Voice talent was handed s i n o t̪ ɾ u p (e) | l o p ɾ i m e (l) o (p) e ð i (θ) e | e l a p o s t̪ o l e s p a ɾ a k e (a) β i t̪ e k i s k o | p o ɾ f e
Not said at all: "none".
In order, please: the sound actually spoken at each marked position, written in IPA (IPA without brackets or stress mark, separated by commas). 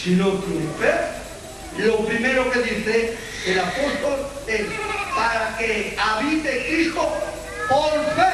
e, ɾ, k, θ, a